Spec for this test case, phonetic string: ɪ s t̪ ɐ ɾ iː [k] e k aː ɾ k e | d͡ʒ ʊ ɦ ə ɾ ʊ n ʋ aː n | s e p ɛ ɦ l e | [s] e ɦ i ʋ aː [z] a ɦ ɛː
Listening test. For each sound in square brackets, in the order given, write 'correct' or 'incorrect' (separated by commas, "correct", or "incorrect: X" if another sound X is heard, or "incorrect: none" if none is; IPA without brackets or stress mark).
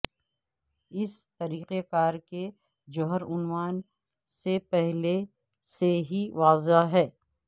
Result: incorrect: q, correct, correct